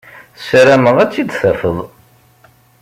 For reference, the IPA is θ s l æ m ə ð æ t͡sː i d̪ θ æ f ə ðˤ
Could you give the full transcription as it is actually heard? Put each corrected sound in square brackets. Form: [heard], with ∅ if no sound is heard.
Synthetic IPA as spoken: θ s [ɾ] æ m ə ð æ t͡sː i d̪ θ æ f ə ðˤ